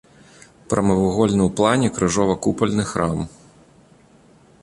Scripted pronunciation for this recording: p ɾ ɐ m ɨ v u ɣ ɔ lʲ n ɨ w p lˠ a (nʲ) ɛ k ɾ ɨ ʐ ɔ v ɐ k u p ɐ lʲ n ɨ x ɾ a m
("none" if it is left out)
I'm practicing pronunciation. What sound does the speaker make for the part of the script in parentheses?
nʲ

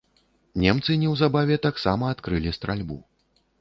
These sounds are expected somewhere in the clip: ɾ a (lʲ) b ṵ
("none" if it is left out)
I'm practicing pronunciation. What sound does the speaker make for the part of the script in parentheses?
lʲ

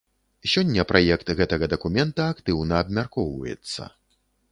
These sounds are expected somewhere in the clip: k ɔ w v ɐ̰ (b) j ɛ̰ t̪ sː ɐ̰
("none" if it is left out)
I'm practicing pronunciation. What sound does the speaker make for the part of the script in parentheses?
none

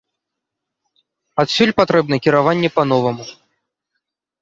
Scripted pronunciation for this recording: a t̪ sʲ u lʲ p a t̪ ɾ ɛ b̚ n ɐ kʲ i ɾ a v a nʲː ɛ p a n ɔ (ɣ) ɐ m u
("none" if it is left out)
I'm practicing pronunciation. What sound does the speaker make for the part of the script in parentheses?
v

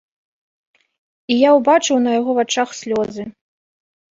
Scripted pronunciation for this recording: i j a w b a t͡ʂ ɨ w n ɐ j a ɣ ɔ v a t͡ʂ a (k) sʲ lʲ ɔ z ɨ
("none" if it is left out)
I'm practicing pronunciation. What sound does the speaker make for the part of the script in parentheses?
x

